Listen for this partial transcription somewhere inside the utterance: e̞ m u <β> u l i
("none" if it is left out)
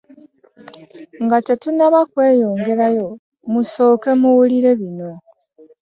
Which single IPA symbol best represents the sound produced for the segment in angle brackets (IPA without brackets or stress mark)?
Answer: w